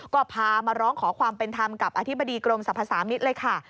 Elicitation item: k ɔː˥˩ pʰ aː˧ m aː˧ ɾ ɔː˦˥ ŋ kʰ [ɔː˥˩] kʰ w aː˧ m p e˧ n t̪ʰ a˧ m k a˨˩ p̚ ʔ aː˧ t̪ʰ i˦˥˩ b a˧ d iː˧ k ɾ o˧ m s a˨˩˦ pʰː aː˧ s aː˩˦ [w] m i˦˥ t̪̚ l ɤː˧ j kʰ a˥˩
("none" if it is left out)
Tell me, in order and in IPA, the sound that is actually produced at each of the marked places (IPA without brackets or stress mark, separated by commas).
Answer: ɔː˩˦, none